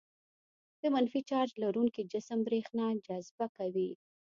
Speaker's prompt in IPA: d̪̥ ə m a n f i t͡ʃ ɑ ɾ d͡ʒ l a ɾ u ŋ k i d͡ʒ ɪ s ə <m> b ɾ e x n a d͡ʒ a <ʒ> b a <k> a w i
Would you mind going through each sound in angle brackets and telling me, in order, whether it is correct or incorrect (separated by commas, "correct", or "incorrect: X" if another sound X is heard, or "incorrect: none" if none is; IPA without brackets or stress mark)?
correct, incorrect: z, correct